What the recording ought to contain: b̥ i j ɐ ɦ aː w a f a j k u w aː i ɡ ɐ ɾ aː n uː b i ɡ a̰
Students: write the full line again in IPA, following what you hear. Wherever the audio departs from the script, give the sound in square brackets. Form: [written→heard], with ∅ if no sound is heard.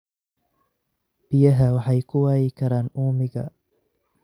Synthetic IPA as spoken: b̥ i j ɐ ɦ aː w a [f→ħ] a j k u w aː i [ɡ→k] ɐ ɾ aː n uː [b→m] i ɡ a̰